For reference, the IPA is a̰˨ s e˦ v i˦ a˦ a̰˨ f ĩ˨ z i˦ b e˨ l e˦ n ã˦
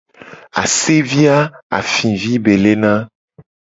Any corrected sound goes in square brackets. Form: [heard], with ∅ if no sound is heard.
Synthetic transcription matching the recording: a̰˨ s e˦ v i˦ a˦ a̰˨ f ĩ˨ [v] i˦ b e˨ l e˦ n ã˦